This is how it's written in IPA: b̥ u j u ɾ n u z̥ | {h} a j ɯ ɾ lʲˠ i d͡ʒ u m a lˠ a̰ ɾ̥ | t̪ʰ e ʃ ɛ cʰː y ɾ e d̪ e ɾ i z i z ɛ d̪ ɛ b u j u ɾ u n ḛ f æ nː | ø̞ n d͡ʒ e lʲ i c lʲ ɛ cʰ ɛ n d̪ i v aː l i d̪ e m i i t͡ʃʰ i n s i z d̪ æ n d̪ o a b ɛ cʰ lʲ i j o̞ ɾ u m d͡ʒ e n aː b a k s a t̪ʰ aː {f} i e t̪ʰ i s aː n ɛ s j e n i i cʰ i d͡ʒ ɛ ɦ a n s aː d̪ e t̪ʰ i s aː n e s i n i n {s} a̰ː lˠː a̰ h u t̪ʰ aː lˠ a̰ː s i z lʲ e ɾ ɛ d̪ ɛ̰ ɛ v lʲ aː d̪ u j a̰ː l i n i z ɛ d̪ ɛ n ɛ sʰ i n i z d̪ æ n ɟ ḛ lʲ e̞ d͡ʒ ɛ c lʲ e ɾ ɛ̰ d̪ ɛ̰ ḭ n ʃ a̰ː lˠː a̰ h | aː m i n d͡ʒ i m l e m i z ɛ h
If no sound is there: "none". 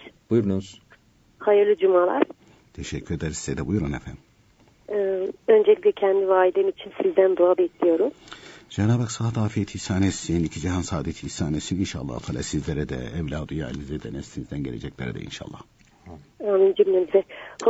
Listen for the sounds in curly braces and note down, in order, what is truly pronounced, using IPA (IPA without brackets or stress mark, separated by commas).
h, f, ʃ